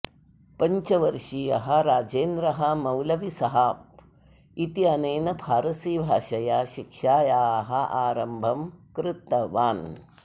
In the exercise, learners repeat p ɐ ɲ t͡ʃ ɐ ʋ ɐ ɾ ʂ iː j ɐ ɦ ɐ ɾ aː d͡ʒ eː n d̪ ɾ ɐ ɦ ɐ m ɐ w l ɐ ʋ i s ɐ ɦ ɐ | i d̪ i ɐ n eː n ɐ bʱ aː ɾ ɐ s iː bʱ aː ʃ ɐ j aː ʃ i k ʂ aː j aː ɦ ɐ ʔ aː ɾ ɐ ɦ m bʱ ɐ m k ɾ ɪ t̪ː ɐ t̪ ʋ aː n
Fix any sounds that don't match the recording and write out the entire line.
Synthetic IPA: p ɐ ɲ t͡ʃ ɐ ʋ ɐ ɾ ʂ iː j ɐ ɦ ɐ ɾ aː d͡ʒ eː n d̪ ɾ ɐ ɦ ɐ m ɐ w l ɐ ʋ i s ɐ ɦ ɐ | i t̪ i ɐ n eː n ɐ bʱ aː ɾ ɐ s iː bʱ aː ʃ ɐ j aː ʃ i k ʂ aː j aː ɦ ɐ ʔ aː ɾ ɐ m bʱ ɐ m k ɾ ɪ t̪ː ɐ ʋ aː n